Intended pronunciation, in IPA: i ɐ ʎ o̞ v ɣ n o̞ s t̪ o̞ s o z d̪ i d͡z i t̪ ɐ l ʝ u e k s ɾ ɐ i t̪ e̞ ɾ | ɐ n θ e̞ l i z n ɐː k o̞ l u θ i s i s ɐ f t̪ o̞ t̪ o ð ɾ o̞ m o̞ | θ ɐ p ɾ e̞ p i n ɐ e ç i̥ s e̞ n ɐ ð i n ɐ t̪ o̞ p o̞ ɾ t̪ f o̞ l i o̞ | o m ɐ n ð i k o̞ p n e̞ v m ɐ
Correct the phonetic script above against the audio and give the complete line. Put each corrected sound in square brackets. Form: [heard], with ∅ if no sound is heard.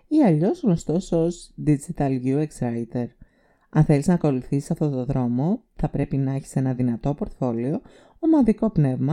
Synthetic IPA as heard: i ɐ ʎ o̞ [z] ɣ n o̞ s t̪ o̞ s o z d̪ i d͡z i t̪ ɐ l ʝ u e k s ɾ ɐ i t̪ e̞ ɾ | ɐ n θ e̞ l i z n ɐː k o̞ l u θ i s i s ɐ f t̪ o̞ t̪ o ð ɾ o̞ m o̞ | θ ɐ p ɾ e̞ p i n ɐ e ç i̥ s e̞ n ɐ ð i n ɐ t̪ o̞ p o̞ ɾ t̪ f o̞ l i o̞ | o m ɐ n ð i k o̞ p n e̞ v m ɐ